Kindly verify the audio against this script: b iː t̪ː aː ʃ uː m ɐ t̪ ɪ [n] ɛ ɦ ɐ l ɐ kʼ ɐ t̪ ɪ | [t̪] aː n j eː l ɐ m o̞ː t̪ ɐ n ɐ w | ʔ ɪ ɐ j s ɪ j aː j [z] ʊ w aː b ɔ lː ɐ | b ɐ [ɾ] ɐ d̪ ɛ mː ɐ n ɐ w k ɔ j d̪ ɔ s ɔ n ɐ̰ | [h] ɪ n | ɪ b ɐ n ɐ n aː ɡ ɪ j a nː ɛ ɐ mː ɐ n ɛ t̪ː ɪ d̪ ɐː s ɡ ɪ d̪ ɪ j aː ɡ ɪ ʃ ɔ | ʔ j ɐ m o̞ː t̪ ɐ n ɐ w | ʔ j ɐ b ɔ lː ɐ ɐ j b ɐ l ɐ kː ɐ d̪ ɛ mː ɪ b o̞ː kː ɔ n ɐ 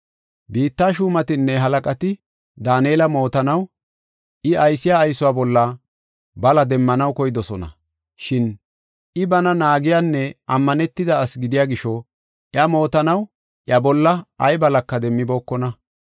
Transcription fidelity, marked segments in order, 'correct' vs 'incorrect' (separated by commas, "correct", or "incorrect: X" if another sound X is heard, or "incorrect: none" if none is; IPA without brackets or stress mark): incorrect: nː, incorrect: d̪, incorrect: s, incorrect: l, incorrect: ʃ